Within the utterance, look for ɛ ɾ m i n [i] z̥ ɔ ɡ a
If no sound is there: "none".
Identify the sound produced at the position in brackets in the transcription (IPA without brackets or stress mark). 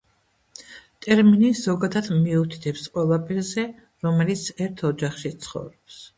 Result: i